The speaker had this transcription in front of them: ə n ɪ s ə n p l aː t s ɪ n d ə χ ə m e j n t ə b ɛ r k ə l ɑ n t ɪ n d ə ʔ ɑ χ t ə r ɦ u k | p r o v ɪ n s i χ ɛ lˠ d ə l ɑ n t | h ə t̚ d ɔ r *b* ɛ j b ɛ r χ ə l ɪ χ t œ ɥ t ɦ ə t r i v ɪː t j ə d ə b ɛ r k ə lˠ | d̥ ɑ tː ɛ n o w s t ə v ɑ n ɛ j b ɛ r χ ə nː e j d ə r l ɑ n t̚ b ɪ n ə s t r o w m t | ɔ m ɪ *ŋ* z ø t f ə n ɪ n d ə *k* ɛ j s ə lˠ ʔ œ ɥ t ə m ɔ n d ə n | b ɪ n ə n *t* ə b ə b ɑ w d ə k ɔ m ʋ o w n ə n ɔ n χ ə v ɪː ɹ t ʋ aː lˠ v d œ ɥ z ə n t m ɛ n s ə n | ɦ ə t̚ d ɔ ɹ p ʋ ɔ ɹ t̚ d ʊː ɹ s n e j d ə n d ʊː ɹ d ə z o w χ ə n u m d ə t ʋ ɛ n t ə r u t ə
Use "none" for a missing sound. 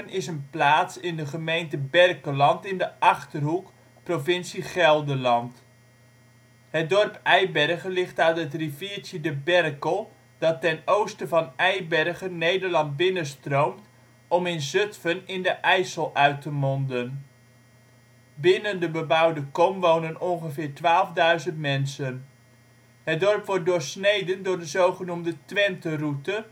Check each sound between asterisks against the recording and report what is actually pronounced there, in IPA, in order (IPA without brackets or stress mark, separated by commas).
p, n, ʔ, d